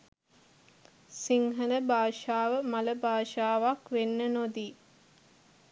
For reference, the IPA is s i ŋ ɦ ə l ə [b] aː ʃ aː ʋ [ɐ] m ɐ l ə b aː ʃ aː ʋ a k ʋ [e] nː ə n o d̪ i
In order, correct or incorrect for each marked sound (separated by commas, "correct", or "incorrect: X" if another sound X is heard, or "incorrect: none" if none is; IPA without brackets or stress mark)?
correct, incorrect: ə, correct